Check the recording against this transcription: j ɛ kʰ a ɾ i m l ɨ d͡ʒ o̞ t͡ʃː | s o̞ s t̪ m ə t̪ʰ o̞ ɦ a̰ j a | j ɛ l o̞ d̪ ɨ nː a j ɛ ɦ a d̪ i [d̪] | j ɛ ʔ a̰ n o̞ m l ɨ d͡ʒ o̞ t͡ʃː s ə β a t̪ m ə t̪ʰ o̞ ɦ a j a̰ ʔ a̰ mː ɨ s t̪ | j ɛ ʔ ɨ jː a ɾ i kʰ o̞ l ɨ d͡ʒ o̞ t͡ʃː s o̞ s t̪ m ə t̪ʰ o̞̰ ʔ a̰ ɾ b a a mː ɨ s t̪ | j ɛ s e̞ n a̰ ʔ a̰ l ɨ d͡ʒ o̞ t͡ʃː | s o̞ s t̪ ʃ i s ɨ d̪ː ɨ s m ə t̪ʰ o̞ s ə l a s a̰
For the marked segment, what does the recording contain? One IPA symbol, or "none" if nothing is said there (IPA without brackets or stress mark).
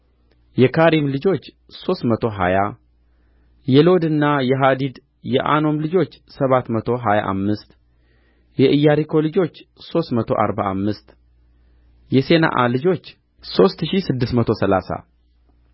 d̪